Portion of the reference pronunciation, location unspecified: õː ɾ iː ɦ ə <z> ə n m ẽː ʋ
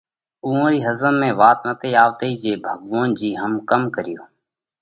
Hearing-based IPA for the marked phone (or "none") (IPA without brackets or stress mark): z